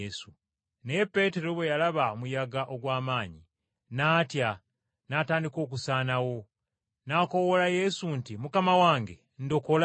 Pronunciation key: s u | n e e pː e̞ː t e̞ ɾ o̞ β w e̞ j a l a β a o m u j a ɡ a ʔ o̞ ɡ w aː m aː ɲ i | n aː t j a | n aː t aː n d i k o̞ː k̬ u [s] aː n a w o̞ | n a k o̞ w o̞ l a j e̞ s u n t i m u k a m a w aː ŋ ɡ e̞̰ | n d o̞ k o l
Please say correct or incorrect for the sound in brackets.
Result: correct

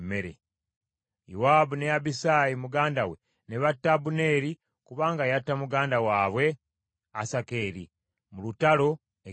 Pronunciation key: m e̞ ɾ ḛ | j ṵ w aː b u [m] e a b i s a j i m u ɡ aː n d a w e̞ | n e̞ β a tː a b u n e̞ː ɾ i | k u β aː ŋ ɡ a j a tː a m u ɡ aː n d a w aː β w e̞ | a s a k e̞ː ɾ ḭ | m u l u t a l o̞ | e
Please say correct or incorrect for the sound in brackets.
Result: incorrect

